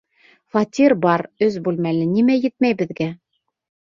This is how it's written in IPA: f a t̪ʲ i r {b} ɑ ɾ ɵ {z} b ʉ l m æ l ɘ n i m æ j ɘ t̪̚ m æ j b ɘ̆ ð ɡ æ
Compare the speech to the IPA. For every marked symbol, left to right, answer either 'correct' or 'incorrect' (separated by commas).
correct, correct